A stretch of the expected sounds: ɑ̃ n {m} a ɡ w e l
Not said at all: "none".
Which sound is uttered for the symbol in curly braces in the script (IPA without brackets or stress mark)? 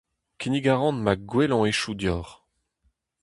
m